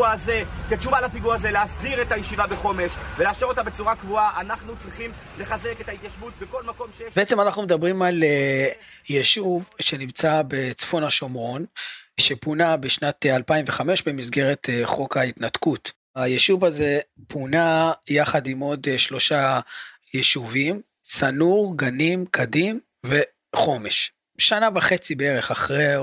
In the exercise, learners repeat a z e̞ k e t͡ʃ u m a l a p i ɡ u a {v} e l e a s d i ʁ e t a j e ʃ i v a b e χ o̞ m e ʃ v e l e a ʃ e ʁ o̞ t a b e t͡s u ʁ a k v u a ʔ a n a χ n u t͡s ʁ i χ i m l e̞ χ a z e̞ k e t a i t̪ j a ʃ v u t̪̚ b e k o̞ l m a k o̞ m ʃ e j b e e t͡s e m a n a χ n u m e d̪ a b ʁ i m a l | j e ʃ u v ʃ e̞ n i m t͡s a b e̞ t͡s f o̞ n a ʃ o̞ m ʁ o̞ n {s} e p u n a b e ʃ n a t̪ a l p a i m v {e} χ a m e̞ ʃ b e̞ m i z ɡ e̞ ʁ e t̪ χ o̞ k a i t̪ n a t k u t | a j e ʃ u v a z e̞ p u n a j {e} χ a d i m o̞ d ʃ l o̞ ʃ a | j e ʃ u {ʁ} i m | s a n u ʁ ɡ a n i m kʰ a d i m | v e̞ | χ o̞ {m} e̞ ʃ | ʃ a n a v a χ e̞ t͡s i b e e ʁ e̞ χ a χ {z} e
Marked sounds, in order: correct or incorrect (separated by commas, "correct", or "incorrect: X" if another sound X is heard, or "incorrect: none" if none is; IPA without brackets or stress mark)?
incorrect: z, incorrect: ʃ, correct, incorrect: a, incorrect: v, correct, incorrect: ʁ